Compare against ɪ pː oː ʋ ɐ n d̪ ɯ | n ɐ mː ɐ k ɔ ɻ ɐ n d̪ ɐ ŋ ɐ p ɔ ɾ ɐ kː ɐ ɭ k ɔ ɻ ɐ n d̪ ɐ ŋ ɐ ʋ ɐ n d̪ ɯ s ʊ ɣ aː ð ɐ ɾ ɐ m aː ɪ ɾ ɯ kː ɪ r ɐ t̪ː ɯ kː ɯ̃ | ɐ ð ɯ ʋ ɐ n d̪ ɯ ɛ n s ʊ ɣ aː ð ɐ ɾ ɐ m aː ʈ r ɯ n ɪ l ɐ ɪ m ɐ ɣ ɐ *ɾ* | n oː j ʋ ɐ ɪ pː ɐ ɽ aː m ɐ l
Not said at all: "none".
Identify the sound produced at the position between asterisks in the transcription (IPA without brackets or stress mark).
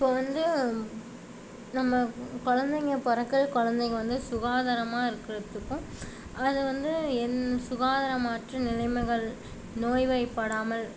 ɭ